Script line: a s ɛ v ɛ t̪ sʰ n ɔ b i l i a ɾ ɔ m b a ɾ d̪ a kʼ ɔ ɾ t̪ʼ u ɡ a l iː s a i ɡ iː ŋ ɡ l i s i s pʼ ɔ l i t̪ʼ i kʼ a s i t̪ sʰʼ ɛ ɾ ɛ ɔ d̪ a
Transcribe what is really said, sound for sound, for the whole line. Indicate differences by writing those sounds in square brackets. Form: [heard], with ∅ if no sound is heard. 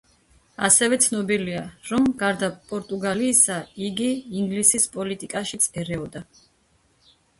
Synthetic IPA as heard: a s ɛ v ɛ t̪ sʰ n ɔ b i l i a ɾ ɔ m [ɡ] a ɾ d̪ a [pʼ] ɔ ɾ t̪ʼ u ɡ a l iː s a i ɡ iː ŋ ɡ l i s i s pʼ ɔ l i t̪ʼ i kʼ a [ʃ] i t̪ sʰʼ ɛ ɾ ɛ ɔ d̪ a